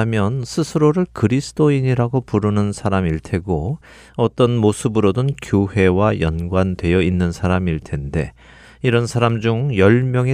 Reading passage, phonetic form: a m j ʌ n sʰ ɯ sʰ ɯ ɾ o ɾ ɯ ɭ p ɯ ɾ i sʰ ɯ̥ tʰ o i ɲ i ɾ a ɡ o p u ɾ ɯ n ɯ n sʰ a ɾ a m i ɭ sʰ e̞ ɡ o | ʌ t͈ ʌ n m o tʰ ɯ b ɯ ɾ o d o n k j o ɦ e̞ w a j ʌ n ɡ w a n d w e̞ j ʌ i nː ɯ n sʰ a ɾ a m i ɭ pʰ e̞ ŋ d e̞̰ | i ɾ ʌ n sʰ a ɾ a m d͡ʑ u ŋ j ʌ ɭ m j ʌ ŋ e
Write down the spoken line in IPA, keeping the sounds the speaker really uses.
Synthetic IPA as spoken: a m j ʌ n sʰ ɯ sʰ ɯ ɾ o ɾ ɯ ɭ k ɯ ɾ i sʰ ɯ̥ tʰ o i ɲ i ɾ a ɡ o p u ɾ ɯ n ɯ n sʰ a ɾ a m i ɭ tʰ e̞ ɡ o | ʌ t͈ ʌ n m o sʰ ɯ b ɯ ɾ o d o n k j o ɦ e̞ w a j ʌ n ɡ w a n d w e̞ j ʌ i nː ɯ n sʰ a ɾ a m i ɭ tʰ e̞ n d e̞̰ | i ɾ ʌ n sʰ a ɾ a m d͡ʑ u ŋ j ʌ ɭ m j ʌ ŋ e